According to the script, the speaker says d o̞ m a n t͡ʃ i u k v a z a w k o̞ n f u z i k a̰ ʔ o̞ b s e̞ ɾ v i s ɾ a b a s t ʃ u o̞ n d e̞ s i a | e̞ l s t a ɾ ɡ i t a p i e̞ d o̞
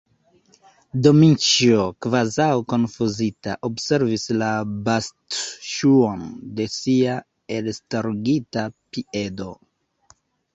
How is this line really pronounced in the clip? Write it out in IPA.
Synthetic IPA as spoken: d o̞ m i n t͡ʃ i o k v a z a w k o̞ n f u z i t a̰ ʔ o̞ b s e̞ ɾ v i s l a b a s t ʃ u o̞ n d e̞ s i a | e̞ l s t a ɾ ɡ i t a p i e̞ d o̞